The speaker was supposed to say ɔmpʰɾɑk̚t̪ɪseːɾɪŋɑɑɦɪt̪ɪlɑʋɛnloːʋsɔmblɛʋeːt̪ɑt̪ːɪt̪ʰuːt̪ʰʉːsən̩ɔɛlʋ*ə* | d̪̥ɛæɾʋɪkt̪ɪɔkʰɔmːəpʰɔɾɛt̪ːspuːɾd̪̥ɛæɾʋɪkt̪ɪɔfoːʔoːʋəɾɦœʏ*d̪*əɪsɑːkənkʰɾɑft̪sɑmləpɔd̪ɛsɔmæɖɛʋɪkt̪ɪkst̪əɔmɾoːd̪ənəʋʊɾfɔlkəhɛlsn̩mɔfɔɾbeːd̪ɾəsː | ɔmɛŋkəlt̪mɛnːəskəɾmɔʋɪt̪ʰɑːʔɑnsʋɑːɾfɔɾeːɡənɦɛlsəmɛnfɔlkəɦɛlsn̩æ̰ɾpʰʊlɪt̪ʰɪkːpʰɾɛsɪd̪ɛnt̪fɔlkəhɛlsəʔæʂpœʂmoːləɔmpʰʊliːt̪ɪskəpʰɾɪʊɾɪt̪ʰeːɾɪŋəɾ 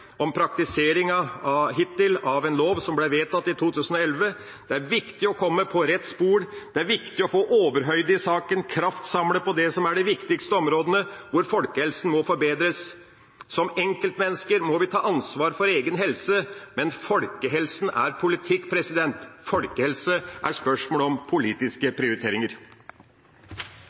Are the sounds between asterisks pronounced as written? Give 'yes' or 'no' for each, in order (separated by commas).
yes, yes